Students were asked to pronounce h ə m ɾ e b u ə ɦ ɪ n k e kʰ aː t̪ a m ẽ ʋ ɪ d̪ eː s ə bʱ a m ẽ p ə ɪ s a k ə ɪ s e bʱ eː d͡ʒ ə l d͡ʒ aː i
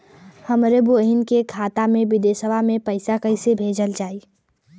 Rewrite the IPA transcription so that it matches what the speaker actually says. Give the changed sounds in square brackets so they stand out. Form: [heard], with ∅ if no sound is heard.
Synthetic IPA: h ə m ɾ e b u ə ɦ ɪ n k e kʰ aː t̪ a m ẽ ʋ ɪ d̪ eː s ə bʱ a m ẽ p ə ɪ s a k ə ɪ s e bʱ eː d͡ʒ ə l d͡ʒ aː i